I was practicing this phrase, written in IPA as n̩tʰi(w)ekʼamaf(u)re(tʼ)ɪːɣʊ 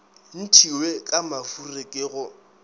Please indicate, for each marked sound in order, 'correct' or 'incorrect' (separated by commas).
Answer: correct, correct, incorrect